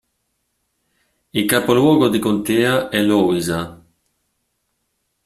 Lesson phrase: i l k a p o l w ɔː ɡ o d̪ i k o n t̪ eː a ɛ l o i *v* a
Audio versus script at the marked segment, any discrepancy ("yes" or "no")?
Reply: yes